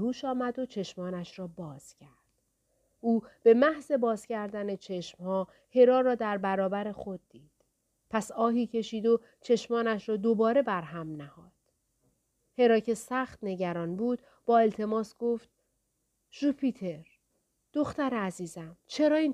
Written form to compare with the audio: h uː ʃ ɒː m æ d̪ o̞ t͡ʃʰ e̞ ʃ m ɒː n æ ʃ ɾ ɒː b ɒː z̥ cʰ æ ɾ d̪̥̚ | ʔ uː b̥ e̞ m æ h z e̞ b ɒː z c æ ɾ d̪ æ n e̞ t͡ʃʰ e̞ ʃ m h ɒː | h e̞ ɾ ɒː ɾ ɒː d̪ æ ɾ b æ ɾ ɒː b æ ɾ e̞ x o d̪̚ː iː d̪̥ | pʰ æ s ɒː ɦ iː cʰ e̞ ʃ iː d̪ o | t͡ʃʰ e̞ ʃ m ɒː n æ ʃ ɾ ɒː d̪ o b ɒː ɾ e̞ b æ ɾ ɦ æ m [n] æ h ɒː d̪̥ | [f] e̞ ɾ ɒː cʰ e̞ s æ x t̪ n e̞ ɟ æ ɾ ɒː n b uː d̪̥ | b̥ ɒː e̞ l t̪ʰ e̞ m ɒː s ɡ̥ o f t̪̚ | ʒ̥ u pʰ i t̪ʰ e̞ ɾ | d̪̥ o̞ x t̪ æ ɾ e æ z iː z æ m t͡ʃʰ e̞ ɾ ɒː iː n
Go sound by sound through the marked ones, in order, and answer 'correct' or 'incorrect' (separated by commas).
correct, incorrect